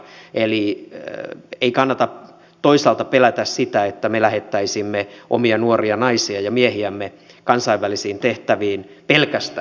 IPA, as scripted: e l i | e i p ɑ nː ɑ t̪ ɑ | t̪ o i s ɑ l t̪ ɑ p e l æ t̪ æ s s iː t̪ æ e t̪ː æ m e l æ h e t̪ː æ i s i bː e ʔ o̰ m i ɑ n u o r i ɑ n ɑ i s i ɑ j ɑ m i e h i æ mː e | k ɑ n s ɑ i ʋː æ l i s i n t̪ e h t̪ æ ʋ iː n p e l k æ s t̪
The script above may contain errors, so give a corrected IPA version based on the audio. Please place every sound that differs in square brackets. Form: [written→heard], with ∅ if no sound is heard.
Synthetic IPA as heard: e l i | e i [p→k] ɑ nː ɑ t̪ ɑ | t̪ o i s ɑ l t̪ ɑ p e l æ t̪ æ s s [iː→i] t̪ æ e t̪ː æ m e l æ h e t̪ː æ i s i [bː→mː] e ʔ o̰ m i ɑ n u o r i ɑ n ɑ i s i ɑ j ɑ m i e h i æ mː e | k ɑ n s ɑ i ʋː æ l i s [i→iː] n t̪ e h t̪ æ ʋ iː n p e l k æ s t̪

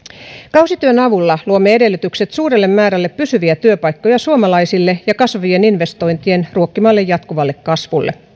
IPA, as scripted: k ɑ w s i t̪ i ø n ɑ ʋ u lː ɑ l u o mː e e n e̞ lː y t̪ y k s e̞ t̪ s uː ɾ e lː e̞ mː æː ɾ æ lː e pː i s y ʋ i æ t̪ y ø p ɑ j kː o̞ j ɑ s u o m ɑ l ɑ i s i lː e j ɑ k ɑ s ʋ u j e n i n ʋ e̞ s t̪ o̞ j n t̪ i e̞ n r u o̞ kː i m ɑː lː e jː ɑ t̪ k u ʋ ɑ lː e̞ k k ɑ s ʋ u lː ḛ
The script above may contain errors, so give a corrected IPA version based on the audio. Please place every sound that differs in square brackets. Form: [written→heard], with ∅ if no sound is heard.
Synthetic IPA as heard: k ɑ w s i t̪ [i→y] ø n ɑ ʋ u lː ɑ l u o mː e e [n→d] e̞ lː y t̪ y k s e̞ t̪ s uː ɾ e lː e̞ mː æː ɾ æ lː e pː [i→y] s y ʋ i æ t̪ y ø p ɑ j kː o̞ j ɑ s u o m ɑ l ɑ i s i lː e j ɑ k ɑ s ʋ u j e n i n ʋ e̞ s t̪ o̞ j n t̪ i e̞ n r u o̞ kː i m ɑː lː e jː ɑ t̪ k u ʋ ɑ lː e̞ k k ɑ s ʋ u lː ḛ

